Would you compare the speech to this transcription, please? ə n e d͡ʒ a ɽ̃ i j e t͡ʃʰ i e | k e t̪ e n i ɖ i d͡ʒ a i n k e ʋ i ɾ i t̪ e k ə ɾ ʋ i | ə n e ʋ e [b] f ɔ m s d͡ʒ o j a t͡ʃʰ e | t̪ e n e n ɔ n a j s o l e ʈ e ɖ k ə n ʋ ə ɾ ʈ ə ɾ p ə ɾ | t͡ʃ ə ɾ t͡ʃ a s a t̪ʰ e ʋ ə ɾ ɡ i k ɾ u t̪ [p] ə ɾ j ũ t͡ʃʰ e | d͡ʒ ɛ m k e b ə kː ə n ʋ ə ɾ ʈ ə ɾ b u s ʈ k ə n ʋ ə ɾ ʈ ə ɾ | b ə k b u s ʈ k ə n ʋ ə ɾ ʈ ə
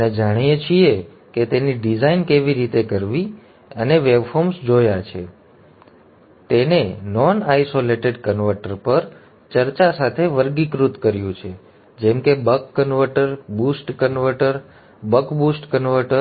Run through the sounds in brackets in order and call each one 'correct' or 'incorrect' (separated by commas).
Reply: correct, incorrect